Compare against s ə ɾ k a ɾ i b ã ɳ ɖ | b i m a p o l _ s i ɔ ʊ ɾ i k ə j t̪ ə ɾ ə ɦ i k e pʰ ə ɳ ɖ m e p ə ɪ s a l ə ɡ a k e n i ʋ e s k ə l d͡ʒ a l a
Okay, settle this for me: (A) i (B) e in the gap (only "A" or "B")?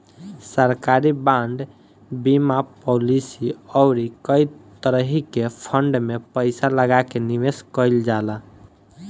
A